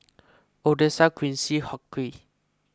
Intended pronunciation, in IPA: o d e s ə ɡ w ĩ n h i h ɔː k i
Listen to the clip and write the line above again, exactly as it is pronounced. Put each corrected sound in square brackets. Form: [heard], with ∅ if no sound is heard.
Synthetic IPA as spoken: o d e s [a] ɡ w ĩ n [s] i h [ɔ] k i